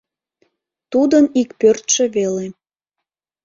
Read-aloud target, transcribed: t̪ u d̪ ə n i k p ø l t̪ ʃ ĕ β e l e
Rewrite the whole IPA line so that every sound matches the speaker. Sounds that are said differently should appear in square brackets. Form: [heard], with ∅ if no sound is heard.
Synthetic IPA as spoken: t̪ u d̪ ə n i k p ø [r] t̪ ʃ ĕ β e l e